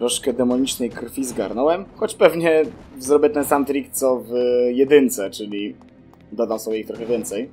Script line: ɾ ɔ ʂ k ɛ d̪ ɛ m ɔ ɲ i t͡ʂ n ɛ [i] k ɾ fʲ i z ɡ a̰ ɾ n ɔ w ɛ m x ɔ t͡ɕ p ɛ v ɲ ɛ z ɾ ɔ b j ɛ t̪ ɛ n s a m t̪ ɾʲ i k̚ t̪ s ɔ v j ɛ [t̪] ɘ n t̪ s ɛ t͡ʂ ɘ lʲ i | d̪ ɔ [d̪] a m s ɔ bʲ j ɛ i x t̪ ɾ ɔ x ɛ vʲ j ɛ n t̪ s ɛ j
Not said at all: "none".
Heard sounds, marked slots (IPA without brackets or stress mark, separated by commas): j, d̪, d̪